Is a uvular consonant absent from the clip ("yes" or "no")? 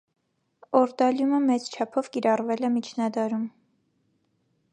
yes